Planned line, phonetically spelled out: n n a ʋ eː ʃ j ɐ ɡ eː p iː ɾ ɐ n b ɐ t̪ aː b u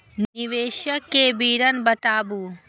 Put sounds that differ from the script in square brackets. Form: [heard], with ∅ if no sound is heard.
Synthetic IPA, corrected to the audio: n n [i] ʋ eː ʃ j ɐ [k] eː [b] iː ɾ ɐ n b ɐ t̪ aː b u